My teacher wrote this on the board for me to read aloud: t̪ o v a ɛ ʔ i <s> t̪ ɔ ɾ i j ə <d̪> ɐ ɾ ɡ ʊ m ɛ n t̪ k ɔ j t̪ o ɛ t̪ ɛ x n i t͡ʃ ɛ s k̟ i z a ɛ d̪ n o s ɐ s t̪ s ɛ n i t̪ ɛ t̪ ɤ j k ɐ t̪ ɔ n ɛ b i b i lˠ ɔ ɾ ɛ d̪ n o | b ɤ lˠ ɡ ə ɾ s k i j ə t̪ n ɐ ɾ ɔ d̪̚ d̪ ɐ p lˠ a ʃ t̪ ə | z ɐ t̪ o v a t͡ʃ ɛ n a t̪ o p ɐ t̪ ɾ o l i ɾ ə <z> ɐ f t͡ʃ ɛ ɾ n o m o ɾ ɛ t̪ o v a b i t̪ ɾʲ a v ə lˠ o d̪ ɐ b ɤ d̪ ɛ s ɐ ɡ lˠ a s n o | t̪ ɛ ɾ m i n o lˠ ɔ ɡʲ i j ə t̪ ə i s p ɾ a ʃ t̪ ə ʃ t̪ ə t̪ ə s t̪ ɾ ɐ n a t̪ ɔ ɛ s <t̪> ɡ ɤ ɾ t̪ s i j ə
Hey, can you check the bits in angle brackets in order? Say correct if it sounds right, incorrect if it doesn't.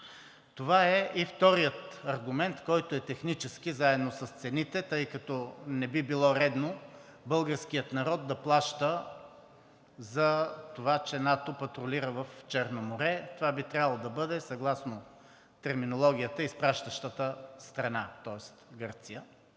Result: incorrect: f, incorrect: t̪, incorrect: v, correct

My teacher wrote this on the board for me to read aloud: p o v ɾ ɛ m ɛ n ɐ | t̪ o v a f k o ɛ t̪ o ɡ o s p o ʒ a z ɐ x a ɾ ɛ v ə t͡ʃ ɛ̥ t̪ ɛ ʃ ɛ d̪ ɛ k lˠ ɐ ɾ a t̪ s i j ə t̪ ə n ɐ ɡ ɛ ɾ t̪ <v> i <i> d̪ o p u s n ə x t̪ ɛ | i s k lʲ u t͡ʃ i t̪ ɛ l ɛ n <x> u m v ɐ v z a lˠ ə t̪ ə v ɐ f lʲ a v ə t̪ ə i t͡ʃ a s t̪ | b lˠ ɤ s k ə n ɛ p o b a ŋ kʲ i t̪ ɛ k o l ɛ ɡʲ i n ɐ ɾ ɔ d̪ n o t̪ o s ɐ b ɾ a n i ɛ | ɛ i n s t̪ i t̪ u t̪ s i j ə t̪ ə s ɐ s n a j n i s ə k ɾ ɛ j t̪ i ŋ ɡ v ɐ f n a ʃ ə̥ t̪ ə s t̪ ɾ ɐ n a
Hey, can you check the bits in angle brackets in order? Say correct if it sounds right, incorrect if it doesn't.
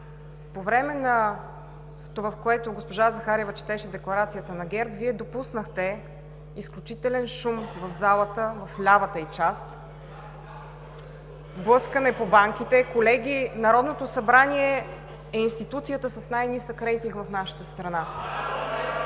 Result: correct, incorrect: ɛ, incorrect: ʃ

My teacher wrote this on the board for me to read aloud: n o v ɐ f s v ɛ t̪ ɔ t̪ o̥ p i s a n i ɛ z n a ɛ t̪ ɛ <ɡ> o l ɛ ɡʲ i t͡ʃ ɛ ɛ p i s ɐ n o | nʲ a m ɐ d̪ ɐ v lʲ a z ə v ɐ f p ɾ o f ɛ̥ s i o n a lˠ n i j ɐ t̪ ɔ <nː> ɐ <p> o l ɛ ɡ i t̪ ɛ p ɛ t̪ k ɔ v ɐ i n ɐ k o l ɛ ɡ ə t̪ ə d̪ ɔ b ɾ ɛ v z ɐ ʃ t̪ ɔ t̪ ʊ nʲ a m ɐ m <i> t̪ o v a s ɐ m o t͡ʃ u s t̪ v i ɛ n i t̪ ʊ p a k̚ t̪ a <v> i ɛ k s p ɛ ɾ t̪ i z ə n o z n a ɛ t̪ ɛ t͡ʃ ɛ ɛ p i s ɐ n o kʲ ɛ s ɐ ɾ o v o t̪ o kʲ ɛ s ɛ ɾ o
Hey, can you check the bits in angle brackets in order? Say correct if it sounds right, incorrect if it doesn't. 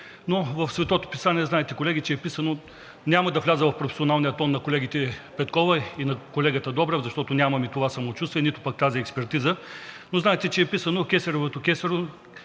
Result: incorrect: k, correct, incorrect: k, correct, incorrect: z

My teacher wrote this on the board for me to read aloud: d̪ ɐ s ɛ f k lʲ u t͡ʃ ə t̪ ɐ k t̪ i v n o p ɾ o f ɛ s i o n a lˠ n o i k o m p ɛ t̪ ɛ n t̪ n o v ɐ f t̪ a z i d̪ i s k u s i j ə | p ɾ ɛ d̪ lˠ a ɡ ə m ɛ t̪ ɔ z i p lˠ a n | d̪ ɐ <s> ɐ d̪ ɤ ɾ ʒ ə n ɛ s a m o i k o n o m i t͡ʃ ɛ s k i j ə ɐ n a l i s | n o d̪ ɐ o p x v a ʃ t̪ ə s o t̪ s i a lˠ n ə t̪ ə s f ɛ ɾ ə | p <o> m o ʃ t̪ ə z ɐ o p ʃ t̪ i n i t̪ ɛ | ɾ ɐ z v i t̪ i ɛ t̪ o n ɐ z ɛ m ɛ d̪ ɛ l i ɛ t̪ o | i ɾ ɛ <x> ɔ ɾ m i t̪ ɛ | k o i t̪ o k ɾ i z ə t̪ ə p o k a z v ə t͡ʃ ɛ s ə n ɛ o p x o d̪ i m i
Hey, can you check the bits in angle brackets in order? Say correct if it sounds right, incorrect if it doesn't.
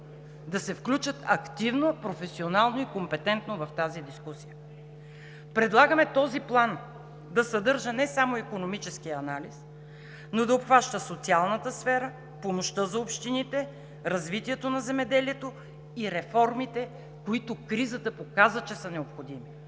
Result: correct, correct, incorrect: f

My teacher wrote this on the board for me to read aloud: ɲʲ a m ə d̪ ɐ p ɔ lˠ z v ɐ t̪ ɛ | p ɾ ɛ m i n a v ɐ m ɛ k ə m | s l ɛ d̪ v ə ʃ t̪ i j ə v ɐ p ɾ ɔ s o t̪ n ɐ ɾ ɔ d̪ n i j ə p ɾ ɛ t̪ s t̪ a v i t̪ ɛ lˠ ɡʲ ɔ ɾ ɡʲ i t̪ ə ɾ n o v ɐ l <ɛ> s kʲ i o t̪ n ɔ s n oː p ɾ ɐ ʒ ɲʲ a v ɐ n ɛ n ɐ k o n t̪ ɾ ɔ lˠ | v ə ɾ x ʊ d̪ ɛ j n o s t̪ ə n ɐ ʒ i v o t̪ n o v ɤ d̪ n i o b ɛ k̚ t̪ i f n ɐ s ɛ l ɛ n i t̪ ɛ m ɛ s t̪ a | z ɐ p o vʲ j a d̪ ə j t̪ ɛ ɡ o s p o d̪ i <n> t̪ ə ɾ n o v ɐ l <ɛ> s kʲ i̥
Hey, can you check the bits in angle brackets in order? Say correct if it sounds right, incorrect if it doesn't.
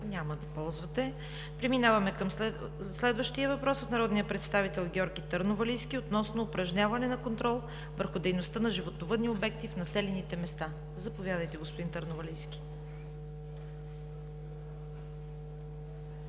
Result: incorrect: i, correct, incorrect: i

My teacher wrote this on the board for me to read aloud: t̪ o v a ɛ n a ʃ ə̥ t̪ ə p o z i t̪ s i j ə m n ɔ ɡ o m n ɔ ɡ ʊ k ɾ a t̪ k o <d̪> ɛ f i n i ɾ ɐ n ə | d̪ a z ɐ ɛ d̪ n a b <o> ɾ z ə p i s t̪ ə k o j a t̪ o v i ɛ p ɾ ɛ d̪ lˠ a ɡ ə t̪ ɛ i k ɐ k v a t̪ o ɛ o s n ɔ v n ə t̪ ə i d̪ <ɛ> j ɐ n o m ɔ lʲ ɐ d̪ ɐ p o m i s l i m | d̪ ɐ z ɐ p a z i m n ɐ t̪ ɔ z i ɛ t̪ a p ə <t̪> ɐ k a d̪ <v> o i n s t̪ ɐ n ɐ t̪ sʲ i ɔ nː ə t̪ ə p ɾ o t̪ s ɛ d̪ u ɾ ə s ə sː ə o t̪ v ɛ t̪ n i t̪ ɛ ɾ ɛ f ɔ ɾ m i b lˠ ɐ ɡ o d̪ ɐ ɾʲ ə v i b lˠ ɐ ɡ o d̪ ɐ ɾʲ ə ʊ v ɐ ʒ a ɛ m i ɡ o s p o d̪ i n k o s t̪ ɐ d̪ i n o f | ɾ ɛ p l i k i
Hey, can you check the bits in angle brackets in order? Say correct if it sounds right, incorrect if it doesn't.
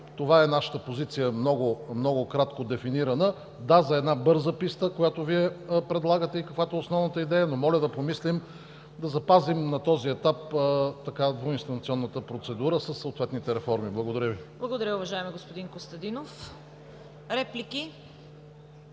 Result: correct, incorrect: ɤ, correct, correct, correct

